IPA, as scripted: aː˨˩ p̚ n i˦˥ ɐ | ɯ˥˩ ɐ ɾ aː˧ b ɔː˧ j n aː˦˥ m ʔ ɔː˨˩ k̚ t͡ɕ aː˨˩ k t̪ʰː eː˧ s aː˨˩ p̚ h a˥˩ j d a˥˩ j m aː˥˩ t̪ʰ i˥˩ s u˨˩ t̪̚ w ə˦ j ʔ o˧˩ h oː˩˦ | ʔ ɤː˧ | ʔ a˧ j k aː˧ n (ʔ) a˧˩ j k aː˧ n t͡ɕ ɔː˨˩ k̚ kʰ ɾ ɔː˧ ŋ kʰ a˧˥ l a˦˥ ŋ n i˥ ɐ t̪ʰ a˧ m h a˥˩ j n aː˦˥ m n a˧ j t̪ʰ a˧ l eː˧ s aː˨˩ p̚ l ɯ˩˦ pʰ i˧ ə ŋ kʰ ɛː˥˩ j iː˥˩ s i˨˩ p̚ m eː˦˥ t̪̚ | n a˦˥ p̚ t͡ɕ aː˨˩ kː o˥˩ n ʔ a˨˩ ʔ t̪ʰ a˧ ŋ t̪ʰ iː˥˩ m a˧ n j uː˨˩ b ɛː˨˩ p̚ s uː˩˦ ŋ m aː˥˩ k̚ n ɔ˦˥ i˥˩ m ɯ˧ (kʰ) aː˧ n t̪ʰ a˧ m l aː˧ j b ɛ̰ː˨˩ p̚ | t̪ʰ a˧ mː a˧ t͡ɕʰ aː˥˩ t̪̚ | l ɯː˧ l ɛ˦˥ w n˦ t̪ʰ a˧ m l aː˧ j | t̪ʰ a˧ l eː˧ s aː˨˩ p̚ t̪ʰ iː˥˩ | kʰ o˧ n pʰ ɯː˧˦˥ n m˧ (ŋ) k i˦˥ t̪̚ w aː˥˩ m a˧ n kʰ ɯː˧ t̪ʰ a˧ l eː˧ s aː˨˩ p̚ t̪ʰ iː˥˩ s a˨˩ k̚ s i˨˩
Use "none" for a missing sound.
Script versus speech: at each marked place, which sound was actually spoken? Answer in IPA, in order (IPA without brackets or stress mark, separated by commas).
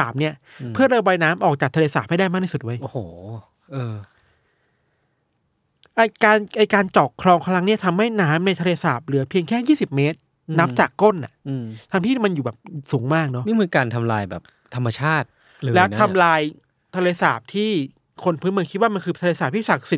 ʔ, k, ŋ